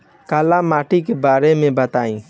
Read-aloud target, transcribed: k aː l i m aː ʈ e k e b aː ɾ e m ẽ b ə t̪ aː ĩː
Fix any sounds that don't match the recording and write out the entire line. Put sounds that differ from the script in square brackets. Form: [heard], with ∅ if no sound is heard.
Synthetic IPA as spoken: k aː l [a] m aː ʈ [i] k e b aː ɾ e m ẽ b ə t̪ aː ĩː